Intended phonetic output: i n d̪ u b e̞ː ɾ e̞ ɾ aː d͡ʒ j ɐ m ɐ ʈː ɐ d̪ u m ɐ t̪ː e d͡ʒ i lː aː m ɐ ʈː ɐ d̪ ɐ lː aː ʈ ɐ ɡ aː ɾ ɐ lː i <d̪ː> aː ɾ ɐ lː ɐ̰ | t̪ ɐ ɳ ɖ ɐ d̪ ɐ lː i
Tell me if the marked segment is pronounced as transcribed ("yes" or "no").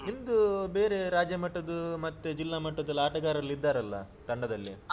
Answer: yes